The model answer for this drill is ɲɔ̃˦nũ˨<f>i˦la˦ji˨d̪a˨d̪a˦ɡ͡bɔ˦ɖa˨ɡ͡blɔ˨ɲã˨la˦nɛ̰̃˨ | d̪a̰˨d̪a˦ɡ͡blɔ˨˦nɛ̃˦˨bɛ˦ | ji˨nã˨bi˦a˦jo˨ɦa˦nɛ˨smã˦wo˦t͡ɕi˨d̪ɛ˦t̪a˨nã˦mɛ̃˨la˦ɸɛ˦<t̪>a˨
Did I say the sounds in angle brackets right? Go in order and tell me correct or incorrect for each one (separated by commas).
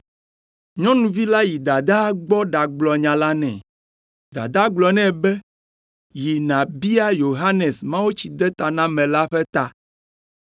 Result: incorrect, correct